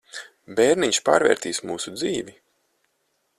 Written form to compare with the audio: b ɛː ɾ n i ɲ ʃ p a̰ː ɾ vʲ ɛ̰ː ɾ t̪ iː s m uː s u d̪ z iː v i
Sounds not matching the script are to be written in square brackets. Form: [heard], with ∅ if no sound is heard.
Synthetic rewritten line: b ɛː ɾ n i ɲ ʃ p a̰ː ɾ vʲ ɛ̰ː ɾ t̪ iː s m uː s u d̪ z iː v i